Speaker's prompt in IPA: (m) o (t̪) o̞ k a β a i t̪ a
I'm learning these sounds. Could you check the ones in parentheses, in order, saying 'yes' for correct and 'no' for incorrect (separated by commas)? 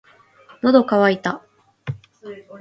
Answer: no, no